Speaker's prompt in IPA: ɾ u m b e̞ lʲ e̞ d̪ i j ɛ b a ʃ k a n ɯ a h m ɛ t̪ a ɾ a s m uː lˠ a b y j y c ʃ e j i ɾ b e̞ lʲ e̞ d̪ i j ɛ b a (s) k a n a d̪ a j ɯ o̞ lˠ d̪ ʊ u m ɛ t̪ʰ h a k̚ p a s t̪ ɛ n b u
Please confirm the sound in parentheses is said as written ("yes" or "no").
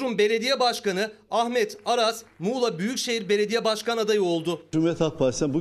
no